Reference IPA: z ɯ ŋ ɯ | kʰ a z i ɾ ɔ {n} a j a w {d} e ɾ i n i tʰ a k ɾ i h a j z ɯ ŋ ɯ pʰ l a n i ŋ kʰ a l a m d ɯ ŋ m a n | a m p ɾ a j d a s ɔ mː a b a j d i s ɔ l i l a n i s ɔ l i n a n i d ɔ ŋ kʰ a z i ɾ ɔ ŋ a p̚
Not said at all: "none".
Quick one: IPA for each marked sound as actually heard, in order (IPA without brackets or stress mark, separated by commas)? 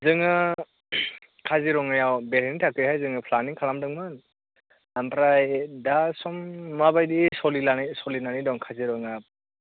ŋ, b